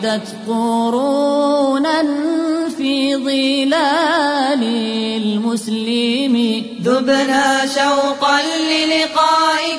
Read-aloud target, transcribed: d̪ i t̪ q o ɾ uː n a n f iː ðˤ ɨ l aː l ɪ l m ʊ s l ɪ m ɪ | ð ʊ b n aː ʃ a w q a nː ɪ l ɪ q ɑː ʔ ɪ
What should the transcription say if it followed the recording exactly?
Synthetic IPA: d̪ a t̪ q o ɾ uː n a n f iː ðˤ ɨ l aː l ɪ l m ʊ s l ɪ m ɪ | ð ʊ b n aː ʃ a w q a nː ɪ l ɪ q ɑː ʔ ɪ